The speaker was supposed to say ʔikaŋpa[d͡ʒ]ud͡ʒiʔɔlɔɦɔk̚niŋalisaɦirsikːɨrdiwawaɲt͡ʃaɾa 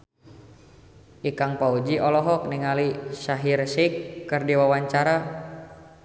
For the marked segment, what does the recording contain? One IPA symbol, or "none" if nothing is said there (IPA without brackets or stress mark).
none